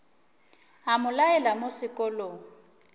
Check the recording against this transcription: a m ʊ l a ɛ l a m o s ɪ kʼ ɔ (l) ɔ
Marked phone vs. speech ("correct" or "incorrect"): correct